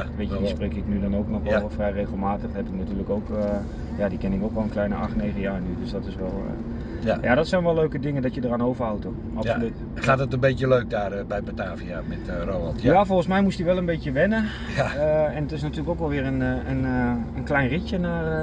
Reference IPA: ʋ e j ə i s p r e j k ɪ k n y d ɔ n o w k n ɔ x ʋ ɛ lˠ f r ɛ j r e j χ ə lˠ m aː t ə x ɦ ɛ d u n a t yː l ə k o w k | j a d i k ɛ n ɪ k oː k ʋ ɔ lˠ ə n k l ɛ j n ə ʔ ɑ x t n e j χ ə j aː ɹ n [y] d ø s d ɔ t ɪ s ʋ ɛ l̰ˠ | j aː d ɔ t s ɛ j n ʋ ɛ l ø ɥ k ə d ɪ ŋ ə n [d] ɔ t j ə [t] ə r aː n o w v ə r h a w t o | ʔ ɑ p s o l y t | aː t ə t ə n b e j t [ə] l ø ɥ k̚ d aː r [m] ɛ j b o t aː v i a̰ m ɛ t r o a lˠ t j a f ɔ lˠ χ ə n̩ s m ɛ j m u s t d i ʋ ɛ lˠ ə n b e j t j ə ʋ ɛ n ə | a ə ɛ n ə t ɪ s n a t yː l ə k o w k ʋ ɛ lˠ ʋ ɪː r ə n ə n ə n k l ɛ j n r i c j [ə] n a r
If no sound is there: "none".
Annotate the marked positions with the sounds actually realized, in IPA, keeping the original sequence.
y, d, d, ə, b, ə

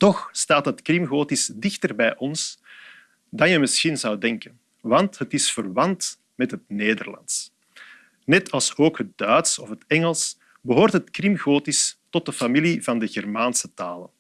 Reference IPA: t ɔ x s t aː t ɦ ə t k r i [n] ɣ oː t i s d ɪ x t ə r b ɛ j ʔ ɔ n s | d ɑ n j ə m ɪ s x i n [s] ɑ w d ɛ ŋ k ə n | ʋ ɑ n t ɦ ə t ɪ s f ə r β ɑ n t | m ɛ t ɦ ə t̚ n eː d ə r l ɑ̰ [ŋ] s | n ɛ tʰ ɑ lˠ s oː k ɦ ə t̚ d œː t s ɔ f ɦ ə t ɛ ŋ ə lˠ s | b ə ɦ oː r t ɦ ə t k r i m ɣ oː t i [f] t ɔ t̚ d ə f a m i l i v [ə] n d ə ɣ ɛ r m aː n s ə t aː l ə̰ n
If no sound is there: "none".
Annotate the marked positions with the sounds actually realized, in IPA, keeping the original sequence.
m, z, n, s, ɑ

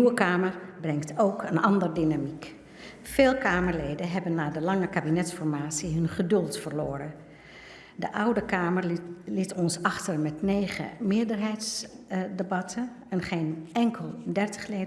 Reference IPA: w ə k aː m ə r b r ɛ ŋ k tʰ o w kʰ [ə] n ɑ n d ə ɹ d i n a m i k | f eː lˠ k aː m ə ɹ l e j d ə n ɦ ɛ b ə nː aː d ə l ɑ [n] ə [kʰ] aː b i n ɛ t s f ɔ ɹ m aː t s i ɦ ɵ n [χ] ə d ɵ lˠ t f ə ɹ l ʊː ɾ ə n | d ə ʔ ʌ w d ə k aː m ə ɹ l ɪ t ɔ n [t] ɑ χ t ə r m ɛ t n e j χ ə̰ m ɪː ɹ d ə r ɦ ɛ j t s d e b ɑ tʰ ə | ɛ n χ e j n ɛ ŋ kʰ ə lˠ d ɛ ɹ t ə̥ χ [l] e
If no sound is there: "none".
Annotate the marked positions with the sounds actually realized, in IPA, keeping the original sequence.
ə, ŋ, k, χ, s, l

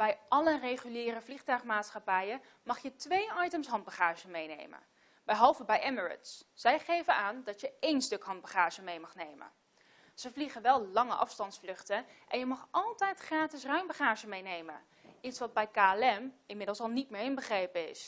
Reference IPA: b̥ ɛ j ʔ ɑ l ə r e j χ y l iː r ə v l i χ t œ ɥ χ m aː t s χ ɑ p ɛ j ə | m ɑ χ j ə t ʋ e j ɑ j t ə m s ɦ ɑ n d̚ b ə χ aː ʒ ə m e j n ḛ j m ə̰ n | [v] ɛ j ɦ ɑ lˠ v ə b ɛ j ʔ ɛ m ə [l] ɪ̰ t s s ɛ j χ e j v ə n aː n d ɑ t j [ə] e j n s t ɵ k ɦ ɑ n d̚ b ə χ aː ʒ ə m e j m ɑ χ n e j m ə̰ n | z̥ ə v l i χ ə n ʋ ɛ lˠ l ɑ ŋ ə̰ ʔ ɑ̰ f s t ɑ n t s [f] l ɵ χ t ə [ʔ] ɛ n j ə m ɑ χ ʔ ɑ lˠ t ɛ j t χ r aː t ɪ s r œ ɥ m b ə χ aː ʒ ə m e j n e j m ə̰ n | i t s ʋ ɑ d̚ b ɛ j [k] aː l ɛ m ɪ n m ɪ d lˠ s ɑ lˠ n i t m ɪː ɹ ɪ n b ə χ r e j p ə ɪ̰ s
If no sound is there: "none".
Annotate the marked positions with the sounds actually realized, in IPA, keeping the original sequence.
b, ɹ, ə, f, ʔ, k

